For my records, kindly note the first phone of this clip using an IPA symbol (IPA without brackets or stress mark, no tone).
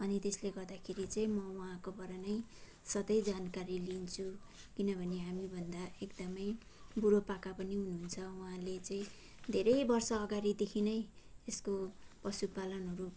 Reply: ʌ